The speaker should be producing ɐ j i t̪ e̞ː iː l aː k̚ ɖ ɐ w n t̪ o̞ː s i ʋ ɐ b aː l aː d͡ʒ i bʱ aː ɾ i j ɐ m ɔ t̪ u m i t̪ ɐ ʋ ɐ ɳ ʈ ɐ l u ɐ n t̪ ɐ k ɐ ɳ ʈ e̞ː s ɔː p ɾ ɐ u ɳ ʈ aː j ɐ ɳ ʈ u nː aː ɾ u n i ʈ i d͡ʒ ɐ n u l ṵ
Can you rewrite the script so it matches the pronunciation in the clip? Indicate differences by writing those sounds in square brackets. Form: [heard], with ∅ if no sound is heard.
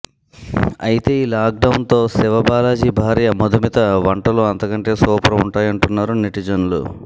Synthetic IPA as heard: ɐ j i t̪ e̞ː iː l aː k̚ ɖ ɐ w n t̪ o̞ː s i ʋ ɐ b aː l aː d͡ʒ i bʱ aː ɾ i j ɐ m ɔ [d̪] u m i t̪ ɐ ʋ ɐ ɳ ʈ ɐ l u ɐ n t̪ ɐ k ɐ ɳ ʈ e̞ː s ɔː p ɾ ɐ u ɳ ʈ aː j ɐ ɳ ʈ u nː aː ɾ u n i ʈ i d͡ʒ ɐ n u l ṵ